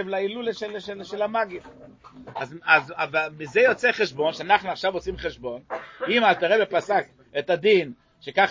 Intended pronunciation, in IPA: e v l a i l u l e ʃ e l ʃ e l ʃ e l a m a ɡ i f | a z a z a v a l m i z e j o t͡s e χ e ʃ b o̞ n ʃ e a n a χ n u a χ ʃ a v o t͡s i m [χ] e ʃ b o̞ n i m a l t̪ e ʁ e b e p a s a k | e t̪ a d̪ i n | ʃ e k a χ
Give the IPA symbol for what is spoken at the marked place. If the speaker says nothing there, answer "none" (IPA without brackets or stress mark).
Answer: χ